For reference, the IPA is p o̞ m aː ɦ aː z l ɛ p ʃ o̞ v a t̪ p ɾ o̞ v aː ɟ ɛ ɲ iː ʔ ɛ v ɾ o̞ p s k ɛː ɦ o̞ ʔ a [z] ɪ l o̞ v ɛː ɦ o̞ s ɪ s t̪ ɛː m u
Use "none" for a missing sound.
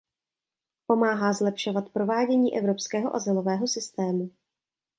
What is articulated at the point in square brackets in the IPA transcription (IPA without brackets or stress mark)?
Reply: z